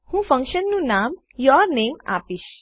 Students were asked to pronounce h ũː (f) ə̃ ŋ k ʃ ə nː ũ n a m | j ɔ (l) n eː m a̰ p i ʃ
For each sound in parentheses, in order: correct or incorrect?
correct, incorrect

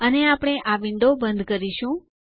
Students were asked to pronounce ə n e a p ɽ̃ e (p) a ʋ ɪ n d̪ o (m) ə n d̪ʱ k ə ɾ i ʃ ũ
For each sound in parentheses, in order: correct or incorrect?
incorrect, incorrect

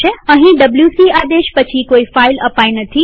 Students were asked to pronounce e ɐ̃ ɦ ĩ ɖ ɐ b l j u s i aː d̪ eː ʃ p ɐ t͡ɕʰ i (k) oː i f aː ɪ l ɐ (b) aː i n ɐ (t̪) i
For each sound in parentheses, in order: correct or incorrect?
correct, incorrect, incorrect

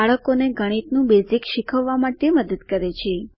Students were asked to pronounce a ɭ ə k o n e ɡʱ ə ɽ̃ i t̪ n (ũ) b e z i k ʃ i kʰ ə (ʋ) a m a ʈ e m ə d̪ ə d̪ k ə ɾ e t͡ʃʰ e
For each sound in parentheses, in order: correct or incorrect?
correct, incorrect

